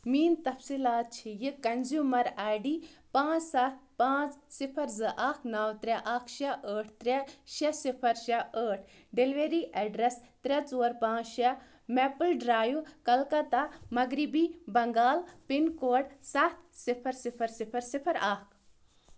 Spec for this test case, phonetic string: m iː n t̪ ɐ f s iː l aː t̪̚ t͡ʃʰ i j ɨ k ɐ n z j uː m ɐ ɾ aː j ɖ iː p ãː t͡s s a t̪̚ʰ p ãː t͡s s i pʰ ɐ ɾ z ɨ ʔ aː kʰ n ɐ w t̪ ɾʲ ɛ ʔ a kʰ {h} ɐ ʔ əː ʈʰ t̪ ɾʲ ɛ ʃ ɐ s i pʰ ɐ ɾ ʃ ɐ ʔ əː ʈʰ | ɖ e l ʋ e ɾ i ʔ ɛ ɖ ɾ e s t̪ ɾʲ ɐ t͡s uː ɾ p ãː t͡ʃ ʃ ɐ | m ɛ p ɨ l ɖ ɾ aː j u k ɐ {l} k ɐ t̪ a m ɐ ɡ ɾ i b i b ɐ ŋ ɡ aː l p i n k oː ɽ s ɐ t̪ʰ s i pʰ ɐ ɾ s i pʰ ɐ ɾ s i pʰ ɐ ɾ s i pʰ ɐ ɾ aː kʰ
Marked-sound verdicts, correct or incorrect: incorrect: ʃ, correct

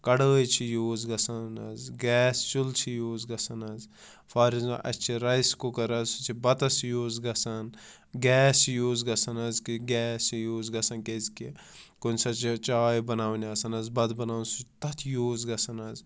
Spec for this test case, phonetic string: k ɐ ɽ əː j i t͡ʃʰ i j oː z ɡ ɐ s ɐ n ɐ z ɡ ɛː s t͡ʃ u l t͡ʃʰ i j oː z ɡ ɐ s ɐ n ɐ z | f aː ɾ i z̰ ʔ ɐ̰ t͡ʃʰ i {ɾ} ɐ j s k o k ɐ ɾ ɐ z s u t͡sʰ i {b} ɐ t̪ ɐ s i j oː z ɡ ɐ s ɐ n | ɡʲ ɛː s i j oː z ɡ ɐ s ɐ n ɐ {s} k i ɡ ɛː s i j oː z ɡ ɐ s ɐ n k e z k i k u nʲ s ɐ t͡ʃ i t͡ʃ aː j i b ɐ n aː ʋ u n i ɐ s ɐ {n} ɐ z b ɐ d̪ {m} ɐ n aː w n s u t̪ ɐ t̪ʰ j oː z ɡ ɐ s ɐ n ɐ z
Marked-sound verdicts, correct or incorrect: correct, correct, incorrect: z, correct, incorrect: b

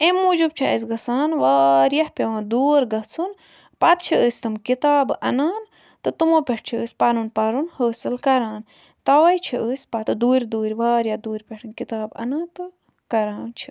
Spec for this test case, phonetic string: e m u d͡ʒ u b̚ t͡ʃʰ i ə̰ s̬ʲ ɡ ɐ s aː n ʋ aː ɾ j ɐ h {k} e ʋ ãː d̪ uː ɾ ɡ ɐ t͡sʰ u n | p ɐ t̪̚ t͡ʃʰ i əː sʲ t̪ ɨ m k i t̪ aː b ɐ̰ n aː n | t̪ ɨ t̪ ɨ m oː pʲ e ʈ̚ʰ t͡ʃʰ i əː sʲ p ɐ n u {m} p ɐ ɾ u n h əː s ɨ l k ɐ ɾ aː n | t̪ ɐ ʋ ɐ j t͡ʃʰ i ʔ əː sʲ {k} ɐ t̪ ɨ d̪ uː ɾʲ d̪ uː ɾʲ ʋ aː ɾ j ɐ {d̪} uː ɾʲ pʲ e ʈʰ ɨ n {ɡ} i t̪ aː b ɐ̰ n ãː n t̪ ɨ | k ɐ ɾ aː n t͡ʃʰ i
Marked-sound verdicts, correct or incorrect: incorrect: p, incorrect: n, incorrect: p, correct, incorrect: k

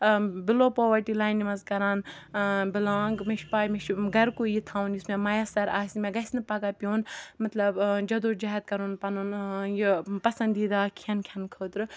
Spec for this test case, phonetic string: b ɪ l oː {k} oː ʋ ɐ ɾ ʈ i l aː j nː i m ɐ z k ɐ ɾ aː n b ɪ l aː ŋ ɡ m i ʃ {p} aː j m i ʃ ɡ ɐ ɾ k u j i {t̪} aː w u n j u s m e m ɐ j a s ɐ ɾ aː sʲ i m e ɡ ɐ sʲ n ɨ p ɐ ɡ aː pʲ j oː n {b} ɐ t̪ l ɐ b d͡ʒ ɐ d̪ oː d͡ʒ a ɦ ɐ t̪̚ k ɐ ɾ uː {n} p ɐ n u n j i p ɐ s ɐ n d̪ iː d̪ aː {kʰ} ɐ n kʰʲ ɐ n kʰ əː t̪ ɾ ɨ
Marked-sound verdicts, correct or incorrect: incorrect: p, correct, incorrect: t̪ʰ, incorrect: m, correct, correct

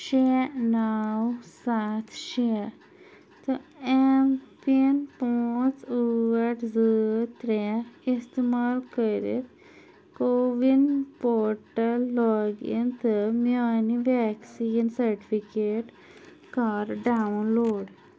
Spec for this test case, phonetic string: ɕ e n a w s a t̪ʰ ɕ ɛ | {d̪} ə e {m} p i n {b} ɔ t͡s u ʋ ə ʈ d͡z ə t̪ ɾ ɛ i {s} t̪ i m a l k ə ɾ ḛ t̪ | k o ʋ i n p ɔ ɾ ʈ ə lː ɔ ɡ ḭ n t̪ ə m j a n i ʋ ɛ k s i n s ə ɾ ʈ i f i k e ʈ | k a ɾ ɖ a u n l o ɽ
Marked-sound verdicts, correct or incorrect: incorrect: t̪, correct, incorrect: p, correct

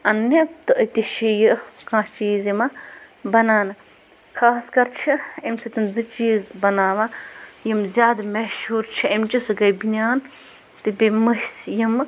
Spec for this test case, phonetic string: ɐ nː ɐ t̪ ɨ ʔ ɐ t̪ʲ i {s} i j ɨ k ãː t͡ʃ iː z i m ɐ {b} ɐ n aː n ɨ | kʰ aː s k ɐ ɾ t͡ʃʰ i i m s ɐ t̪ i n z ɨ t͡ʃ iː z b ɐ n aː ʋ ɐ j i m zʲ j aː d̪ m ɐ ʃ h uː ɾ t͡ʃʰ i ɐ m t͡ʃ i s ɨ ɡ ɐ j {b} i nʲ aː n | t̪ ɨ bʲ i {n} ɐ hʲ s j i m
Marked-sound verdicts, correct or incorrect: incorrect: ʃ, correct, correct, incorrect: m

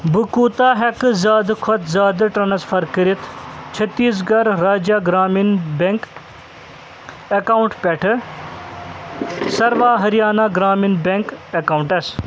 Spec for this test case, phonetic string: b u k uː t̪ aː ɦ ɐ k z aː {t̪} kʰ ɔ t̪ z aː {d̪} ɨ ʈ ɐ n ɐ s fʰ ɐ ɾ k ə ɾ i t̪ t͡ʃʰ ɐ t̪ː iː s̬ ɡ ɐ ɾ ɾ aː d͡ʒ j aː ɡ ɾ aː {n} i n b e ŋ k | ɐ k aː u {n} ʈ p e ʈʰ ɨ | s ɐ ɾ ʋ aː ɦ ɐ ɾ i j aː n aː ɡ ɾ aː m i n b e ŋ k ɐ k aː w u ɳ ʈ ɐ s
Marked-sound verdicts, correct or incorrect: incorrect: d̪, correct, incorrect: m, incorrect: ɳ

